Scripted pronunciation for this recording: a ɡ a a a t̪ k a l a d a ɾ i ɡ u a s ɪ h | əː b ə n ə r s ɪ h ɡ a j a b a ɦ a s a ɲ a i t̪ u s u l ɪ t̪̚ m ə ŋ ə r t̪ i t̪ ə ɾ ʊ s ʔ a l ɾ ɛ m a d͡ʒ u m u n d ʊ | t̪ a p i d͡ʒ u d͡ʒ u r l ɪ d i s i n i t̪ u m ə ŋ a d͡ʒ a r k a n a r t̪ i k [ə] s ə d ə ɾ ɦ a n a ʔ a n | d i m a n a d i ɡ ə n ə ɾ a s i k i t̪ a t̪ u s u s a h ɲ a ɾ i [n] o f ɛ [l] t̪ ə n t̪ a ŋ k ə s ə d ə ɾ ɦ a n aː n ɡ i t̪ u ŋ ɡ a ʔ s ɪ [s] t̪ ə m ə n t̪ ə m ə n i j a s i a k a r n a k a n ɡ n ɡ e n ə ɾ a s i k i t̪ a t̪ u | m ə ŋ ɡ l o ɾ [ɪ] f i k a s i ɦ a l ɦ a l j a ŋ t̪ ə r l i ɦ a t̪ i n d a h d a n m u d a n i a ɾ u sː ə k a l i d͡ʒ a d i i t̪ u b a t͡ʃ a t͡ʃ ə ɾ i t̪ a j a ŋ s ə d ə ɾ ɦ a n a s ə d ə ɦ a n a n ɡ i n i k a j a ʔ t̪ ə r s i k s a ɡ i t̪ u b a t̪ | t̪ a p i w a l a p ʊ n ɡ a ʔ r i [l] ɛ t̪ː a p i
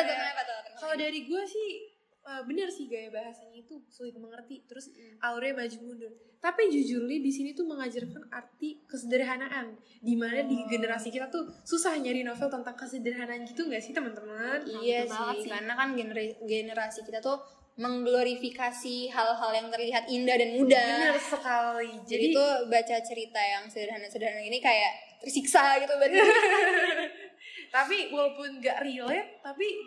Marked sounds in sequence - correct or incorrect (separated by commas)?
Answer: correct, correct, correct, incorrect, incorrect, correct